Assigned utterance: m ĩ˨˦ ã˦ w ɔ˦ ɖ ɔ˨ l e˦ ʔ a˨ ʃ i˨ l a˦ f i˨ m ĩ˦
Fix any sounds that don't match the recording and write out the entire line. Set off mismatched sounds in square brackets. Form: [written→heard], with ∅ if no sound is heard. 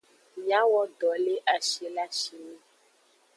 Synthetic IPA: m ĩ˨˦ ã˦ w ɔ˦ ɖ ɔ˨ l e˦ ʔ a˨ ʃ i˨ l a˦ [f→ʃ] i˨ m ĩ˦